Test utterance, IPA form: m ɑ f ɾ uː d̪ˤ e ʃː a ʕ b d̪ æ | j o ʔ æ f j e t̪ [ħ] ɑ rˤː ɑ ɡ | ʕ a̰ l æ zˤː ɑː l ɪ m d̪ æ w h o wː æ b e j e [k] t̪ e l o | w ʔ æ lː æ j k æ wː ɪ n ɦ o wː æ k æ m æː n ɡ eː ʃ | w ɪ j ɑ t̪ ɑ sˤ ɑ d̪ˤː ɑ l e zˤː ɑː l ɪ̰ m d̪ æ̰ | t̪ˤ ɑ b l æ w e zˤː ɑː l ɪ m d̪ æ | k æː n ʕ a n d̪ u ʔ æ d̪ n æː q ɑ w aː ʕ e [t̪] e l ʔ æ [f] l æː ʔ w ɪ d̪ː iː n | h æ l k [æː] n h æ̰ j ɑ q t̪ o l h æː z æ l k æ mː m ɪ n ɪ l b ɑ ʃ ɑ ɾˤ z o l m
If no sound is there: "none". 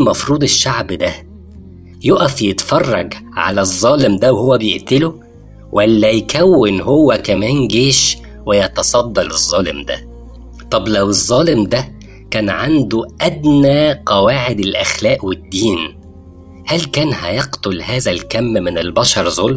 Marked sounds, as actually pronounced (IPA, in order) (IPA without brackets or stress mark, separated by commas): f, ʔ, d̪, x, æː